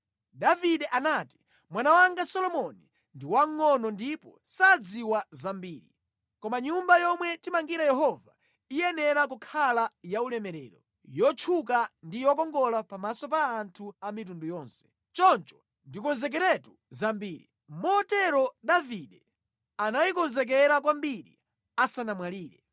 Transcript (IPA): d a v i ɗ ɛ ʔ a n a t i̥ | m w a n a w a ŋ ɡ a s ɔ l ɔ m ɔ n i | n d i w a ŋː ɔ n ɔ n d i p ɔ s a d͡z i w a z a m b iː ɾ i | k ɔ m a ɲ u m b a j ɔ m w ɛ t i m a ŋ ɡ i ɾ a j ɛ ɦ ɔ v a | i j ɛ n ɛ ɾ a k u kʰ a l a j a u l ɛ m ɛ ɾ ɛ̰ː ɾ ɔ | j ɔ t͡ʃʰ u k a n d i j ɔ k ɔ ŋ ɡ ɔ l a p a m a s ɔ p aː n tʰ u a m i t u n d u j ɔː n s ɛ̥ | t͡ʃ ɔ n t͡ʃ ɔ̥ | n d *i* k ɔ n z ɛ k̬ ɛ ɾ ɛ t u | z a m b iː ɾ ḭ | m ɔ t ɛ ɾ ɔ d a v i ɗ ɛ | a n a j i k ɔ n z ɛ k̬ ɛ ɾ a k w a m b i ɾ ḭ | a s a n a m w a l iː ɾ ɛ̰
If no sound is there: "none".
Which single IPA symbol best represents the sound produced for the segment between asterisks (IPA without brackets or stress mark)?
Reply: i